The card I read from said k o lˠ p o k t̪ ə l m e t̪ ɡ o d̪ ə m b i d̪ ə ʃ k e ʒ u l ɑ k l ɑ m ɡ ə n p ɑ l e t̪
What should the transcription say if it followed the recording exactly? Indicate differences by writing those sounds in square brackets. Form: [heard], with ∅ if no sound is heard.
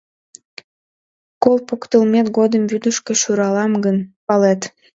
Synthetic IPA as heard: k o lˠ p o k t̪ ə l m e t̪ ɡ o d̪ ə m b [y] d̪ ə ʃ k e [ʃ] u [ɾ] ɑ [∅] l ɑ m ɡ ə n p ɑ l e t̪